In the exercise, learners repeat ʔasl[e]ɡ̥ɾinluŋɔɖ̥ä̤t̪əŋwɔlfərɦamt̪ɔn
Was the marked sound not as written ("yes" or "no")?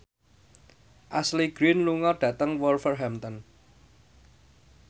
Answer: yes